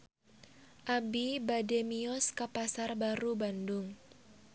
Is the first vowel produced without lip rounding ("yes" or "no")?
yes